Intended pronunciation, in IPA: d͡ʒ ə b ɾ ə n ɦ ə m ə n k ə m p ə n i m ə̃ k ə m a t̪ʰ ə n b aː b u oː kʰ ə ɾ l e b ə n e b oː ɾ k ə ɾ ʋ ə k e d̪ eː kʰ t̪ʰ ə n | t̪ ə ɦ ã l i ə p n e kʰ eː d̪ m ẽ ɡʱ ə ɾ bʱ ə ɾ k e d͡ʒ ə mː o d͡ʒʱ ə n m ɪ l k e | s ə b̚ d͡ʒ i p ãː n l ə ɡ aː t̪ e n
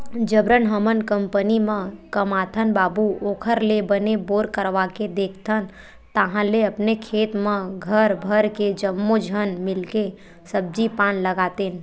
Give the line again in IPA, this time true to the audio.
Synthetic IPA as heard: d͡ʒ ə b ɾ ə n ɦ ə m ə n k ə m p ə n i m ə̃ k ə m a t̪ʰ ə n b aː b u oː kʰ ə ɾ l e b ə n e b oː ɾ k ə ɾ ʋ a k e d̪ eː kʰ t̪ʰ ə n | t̪ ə ɦ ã l e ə p n e kʰ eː t̪ m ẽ ɡʱ ə ɾ bʱ ə ɾ k e d͡ʒ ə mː o d͡ʒʱ ə n m ɪ l k e | s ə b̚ d͡ʒ i p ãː n l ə ɡ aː t̪ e n